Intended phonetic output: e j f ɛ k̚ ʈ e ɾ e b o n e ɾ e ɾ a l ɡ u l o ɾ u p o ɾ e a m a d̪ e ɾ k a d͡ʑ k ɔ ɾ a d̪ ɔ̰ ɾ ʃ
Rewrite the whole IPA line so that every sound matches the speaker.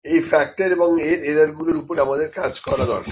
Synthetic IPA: e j f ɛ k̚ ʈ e ɾ e b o ŋ e ɾ e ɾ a ɾ ɡ u l o ɾ u p o ɾ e a m a d̪ e ɾ k a d͡ʑ k ɔ ɾ a d̪ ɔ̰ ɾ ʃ